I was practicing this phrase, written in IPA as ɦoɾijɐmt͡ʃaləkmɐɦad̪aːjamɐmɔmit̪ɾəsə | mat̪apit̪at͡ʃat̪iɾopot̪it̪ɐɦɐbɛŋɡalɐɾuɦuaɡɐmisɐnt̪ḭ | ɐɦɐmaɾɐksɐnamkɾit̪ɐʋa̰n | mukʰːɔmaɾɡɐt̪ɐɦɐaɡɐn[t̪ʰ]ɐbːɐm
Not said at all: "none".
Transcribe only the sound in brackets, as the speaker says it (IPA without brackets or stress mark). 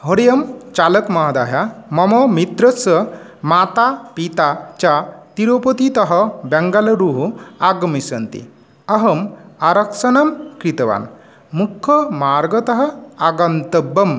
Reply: t̪